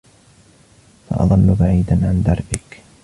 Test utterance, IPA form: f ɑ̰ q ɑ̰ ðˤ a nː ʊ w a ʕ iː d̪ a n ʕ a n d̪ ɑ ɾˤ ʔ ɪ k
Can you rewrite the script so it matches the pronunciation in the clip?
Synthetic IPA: f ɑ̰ ʔ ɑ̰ ðˤ ɑ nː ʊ b a ʕ iː d̪ a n ʕ a n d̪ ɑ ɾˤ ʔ ɪ k